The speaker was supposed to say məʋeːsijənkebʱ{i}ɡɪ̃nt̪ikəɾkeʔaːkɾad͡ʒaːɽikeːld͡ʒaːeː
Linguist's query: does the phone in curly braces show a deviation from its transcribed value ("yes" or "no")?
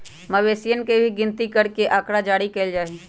no